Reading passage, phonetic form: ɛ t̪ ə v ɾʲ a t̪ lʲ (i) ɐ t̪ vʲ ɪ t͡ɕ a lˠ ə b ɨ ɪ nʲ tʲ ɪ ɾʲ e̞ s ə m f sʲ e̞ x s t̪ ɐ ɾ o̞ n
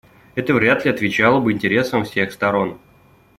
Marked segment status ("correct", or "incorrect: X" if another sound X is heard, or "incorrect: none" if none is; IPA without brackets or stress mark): incorrect: ɪ